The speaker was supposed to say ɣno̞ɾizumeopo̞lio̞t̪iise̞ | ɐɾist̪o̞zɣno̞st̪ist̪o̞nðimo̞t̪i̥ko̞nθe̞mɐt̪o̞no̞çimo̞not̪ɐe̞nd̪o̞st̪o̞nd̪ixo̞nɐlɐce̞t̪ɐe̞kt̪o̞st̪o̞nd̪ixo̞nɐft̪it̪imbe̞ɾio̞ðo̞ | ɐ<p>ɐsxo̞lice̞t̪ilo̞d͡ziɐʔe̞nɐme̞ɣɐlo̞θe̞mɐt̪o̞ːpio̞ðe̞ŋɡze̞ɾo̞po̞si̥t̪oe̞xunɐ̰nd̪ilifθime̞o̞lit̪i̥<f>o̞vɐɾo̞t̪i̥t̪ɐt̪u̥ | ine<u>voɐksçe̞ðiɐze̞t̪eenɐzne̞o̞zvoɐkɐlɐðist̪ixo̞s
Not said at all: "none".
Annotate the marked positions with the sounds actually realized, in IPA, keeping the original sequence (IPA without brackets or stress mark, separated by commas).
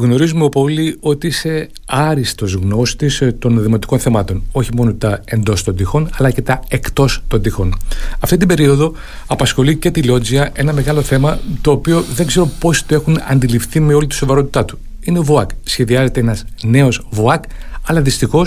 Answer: p, s, o